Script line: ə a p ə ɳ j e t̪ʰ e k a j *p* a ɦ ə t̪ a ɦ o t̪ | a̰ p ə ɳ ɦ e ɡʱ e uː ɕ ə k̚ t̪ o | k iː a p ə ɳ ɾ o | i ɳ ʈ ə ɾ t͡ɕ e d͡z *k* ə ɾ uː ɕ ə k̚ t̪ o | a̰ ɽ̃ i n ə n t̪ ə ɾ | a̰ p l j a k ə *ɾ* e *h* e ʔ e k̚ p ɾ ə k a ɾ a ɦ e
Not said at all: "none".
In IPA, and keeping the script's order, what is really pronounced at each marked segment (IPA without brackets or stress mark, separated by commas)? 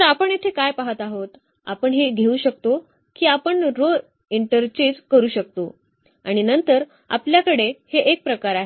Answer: p, k, ɽ, h